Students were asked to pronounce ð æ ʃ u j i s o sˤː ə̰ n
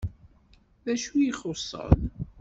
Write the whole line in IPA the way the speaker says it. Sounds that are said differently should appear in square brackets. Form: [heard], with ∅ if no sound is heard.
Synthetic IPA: ð æ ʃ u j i [χ] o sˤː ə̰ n